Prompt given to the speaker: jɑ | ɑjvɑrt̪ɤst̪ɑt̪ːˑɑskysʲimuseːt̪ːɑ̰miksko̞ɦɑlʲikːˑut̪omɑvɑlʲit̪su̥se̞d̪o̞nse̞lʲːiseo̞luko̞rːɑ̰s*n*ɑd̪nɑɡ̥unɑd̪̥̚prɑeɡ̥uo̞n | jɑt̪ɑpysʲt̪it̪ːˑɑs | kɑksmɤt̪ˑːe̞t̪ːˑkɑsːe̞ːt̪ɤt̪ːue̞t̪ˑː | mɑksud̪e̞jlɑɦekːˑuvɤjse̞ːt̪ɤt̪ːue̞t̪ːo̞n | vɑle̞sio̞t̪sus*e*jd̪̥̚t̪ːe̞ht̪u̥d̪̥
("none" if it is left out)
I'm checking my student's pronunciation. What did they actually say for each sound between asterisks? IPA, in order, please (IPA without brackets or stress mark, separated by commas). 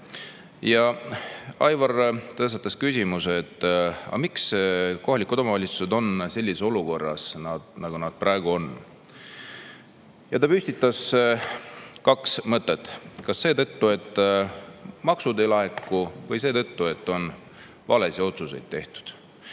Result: n, e